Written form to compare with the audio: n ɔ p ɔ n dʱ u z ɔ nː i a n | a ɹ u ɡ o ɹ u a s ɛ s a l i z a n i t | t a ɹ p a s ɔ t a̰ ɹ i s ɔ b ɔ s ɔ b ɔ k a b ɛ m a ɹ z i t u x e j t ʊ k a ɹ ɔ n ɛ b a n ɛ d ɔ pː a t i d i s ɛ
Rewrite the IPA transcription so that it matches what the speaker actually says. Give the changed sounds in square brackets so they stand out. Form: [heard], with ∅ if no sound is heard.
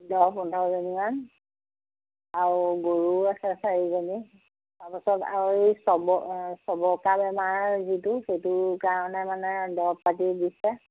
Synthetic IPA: [d] ɔ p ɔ n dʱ [ɔ] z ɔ [n] i a n | a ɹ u ɡ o ɹ u a s ɛ s a [ɹ] i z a n i [∅] | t a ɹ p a s ɔ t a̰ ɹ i s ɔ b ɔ s ɔ b ɔ k a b ɛ m a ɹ z i t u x e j t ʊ k a ɹ ɔ n ɛ [m] a n ɛ d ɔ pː a t i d i s ɛ